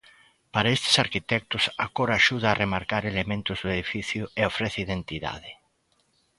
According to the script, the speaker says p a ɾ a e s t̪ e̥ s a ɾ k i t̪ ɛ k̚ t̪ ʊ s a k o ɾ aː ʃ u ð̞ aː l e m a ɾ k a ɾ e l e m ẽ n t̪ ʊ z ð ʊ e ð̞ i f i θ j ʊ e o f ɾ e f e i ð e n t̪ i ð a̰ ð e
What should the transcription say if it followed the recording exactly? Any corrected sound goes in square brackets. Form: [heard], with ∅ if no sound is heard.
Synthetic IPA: p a ɾ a e s t̪ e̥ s a ɾ k i t̪ ɛ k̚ t̪ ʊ s a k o ɾ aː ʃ u ð̞ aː [r] e m a ɾ k a ɾ e l e m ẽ n t̪ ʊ z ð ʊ e ð̞ i f i θ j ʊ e o f ɾ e [θ] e i ð e n t̪ i ð a̰ ð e